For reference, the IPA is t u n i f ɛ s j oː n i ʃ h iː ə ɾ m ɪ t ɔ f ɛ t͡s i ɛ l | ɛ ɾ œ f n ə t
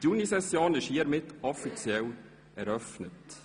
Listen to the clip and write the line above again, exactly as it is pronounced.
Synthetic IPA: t u n i s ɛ s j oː n ɪ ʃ h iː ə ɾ m ɪ t ɔ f i t͡s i ɛ l | ɛ ɾ œ f n ə t